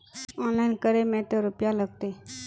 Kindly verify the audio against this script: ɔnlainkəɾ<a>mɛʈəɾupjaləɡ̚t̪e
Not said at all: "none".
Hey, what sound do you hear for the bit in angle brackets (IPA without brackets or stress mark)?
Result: e